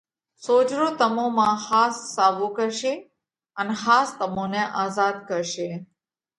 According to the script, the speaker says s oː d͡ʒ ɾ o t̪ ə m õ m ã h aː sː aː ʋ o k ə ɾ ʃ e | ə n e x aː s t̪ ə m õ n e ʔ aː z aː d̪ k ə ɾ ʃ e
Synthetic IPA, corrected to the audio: s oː d͡ʒ ɾ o t̪ ə m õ m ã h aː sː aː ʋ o k ə ɾ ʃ e | ə n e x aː s t̪ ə m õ n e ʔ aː z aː d̪ k ə ɾ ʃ e